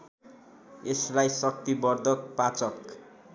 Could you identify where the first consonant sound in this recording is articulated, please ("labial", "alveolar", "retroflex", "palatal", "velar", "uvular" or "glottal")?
alveolar